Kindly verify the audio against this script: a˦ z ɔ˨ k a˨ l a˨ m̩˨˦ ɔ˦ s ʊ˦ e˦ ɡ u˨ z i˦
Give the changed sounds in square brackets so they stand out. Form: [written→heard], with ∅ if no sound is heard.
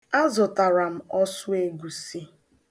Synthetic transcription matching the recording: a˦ z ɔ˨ [k→t] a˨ [l→ɾ] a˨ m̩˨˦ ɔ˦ s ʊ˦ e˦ ɡ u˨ [z→s] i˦